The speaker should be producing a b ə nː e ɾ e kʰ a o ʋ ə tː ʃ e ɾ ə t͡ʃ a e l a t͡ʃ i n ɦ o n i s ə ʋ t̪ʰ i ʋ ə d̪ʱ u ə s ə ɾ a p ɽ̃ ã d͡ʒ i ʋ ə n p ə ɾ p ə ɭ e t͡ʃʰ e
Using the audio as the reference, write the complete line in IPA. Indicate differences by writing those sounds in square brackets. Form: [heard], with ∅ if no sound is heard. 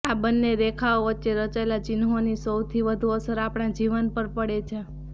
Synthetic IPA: a b ə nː e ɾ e kʰ a o ʋ ə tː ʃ e ɾ ə t͡ʃ a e l a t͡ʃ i n ɦ o n i s ə [w] t̪ʰ i ʋ ə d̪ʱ u ə s ə ɾ a p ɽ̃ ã d͡ʒ i ʋ ə n p ə ɾ p ə [ɽ] e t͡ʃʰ e